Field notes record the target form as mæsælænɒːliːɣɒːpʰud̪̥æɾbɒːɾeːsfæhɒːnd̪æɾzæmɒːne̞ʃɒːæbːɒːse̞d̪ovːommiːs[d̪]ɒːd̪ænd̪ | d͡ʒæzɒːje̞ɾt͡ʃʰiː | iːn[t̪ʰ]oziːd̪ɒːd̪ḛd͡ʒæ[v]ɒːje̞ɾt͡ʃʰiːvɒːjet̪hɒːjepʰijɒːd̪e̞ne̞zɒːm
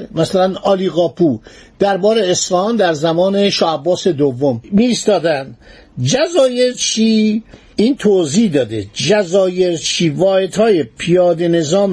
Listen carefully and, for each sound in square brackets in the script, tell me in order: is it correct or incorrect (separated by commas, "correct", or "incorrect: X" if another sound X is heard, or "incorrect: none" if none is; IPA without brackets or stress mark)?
incorrect: t̪, correct, incorrect: z